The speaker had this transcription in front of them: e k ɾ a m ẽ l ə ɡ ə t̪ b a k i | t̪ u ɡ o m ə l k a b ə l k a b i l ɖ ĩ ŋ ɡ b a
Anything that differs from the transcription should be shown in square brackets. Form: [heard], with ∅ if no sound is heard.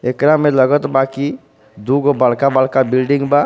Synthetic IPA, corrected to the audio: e k ɾ a m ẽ l ə ɡ ə t̪ b a k i | [d̪] u ɡ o [b] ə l k a b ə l k a b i l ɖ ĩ ŋ ɡ b a